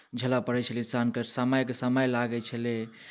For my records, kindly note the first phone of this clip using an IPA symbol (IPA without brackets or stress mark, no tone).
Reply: d͡ʒʱ